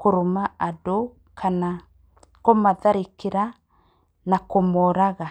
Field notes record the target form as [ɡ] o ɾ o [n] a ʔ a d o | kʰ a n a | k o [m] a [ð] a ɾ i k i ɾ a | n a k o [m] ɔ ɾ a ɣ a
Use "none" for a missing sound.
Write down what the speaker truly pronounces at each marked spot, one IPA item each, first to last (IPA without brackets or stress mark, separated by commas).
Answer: k, m, m, ð, m